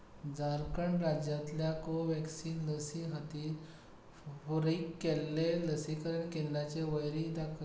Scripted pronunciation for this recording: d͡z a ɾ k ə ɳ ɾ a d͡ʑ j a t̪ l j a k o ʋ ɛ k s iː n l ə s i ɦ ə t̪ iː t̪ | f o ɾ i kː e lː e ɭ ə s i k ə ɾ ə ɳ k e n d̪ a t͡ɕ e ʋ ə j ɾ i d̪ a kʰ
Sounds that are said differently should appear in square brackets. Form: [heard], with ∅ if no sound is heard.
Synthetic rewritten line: d͡z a ɾ k ə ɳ ɾ a d͡ʑ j a t̪ l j a k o ʋ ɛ k s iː n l ə s i ɦ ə t̪ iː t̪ | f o ɾ i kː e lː e [l] ə s i k ə ɾ ə ɳ k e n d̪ a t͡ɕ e ʋ ə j ɾ i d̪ a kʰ